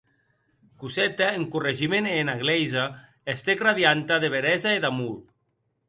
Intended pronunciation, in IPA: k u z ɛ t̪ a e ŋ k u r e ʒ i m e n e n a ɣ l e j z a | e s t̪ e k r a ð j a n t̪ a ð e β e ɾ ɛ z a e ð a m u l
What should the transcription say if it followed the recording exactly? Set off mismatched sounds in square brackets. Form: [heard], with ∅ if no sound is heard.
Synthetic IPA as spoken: k u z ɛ t̪ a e ŋ k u r e ʒ i m e n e n a ɣ l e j z a | e s t̪ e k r a ð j a n t̪ a ð e β e ɾ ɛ z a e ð a m u l

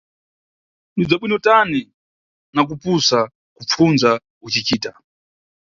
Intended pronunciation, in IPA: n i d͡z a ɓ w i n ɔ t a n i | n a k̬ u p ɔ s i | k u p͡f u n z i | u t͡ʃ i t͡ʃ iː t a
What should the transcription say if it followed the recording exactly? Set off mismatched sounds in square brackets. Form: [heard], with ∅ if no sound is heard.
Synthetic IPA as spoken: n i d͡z a ɓ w i n ɔ t a n i | n a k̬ u p [u] s [a] | k u p͡f u n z [a] | u t͡ʃ i t͡ʃ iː t a

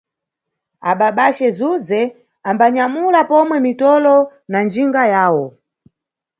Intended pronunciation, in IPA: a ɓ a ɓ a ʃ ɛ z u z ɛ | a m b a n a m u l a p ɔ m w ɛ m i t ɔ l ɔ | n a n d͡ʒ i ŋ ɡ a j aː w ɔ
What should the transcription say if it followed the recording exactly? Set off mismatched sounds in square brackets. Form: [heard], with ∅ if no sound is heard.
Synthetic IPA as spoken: a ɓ a ɓ a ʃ ɛ z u z ɛ | a m b a [ɲ] a m u l a p ɔ m w ɛ m i t ɔ l ɔ | n a n d͡ʒ i ŋ ɡ a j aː w ɔ

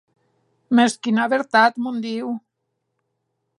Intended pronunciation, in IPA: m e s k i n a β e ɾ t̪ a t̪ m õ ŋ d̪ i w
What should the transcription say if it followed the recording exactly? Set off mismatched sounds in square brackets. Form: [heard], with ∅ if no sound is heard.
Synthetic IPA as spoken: m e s k i n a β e ɾ t̪ a t̪ m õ [n] d̪ i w

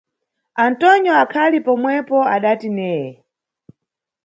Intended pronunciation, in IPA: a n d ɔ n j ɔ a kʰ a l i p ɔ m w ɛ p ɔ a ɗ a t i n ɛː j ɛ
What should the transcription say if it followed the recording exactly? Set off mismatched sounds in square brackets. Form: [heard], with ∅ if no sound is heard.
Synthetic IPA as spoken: a n [t] ɔ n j ɔ a kʰ a l i p ɔ m w ɛ p ɔ a ɗ a t i n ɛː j ɛ

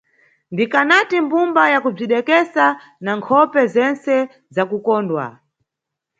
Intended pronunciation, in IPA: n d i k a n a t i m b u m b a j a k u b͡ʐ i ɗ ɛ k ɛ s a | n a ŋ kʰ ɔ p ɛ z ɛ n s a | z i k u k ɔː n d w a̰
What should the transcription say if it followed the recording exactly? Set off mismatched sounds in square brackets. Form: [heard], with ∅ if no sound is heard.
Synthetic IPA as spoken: n d i k a n a t i m b u m b a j a k u b͡ʐ i ɗ ɛ k ɛ s a | n a ŋ kʰ ɔ p ɛ z ɛ n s [ɛ] | z [a] k u k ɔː n d w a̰

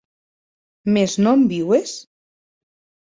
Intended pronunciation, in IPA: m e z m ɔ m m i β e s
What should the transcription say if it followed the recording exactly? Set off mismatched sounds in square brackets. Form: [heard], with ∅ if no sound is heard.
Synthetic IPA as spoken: m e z [n] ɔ m [b] i [w] e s

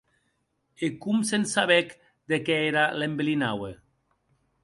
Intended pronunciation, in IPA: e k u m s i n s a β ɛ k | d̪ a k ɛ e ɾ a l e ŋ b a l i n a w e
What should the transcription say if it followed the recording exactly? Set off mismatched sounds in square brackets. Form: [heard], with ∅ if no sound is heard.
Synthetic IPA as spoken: e k u m s [e] n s a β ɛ k | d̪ [e] k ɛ e ɾ a l e [m] b [e] l i n a w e

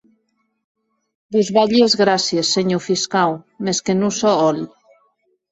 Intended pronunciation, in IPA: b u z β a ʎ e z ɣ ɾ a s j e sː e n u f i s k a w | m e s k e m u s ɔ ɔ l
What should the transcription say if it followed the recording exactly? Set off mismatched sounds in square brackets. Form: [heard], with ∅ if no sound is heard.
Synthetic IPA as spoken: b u z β a ʎ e z ɣ ɾ a s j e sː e [ɲ] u f i s k a w | m e s k e [n] u s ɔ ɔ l

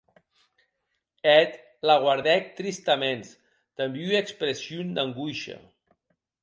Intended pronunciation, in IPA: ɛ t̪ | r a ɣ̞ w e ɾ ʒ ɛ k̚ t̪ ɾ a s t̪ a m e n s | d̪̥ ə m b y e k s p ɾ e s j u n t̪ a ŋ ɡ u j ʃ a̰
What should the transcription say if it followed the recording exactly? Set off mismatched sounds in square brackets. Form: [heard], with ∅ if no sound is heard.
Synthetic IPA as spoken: ɛ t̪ | [l] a ɣ̞ w [a] ɾ [ð] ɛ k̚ t̪ ɾ [i] s t̪ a m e n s | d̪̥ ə m b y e k s p ɾ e s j u n [d̪] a ŋ ɡ u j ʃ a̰

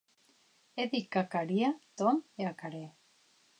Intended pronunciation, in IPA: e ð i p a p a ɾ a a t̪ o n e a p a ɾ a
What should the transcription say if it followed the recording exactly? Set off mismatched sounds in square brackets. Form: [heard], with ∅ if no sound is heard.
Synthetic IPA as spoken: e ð i [k] a [k] a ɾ [i] a t̪ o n e a [k] a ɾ [e]

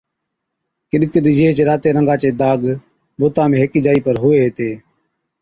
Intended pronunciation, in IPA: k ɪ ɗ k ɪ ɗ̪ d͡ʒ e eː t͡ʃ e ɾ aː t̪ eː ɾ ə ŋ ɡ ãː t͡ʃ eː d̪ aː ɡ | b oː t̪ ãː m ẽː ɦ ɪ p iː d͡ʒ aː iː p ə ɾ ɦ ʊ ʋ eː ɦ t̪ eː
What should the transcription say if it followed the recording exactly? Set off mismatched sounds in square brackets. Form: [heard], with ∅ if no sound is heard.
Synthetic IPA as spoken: k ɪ ɗ k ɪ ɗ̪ d͡ʒ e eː t͡ʃ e ɾ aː t̪ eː ɾ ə ŋ ɡ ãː t͡ʃ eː d̪ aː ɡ | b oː t̪ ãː m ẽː ɦ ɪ [k] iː d͡ʒ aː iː p ə ɾ ɦ ʊ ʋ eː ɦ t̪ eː

